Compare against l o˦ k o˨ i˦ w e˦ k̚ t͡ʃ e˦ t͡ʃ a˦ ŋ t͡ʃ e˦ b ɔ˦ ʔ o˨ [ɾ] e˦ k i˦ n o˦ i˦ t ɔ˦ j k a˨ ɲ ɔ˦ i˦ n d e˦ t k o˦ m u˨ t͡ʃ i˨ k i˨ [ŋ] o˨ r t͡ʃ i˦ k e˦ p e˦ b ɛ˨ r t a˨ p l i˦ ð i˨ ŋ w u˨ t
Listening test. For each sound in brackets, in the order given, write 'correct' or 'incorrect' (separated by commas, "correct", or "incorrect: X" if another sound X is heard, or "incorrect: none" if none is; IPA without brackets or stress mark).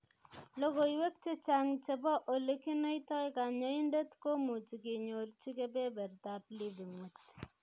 incorrect: l, incorrect: ɲ